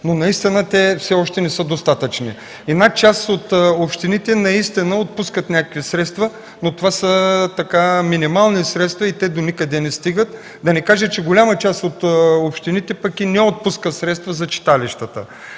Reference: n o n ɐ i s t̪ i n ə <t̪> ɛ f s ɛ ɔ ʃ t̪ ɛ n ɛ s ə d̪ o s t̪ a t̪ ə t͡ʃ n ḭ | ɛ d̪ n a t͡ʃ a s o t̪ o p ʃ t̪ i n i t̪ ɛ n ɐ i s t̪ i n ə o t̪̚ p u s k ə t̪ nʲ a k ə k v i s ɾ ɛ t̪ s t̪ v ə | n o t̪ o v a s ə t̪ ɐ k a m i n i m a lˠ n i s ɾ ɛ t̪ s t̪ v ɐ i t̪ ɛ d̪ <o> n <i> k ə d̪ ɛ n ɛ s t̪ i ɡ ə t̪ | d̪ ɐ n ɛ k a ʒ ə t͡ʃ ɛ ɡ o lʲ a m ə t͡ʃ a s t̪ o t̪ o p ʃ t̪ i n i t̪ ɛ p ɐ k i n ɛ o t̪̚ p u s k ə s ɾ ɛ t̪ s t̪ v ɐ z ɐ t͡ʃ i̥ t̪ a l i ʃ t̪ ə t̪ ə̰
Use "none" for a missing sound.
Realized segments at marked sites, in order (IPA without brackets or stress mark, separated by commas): t̪, o, i